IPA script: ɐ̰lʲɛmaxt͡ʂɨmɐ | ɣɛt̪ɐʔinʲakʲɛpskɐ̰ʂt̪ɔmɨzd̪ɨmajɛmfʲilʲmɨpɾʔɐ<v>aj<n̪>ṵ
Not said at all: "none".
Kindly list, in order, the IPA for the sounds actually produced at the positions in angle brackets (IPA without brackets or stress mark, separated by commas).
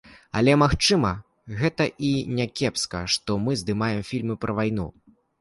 v, n̪